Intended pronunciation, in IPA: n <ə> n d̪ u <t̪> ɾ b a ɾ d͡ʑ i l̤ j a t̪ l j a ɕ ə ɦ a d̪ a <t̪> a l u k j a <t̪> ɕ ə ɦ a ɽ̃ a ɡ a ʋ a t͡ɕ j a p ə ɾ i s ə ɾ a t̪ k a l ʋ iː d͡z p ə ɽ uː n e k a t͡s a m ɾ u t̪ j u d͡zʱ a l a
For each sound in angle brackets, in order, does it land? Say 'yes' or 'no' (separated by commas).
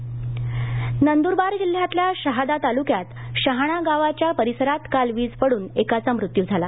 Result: yes, no, yes, yes